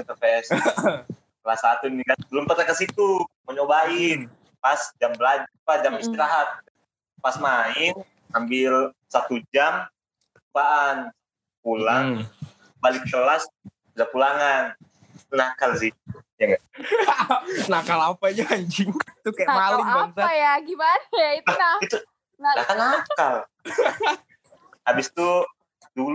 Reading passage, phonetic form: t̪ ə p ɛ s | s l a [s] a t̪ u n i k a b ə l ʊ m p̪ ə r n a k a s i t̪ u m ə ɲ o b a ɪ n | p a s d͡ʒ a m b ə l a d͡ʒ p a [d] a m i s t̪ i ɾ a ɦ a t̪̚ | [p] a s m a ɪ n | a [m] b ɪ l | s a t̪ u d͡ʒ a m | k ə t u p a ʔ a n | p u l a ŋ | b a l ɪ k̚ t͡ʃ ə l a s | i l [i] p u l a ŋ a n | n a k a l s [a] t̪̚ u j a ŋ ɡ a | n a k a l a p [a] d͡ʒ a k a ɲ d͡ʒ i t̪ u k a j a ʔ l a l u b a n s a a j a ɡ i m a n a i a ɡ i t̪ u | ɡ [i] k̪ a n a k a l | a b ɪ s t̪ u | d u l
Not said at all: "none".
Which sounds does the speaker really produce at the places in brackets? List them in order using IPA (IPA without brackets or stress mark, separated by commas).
s, d͡ʒ, p, m, a, i, a, a